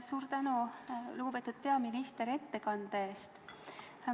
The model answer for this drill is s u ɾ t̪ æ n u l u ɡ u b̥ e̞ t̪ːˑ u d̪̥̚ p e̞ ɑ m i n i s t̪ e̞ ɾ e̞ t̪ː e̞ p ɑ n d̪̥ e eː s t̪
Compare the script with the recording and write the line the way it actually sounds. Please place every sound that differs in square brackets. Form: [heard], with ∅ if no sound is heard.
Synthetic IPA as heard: s [uː] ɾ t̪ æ n u l u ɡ u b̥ e̞ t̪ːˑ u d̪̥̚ p e̞ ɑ m i n i s t̪ e̞ ɾ e̞ t̪ː e̞ [k] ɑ n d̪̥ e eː s t̪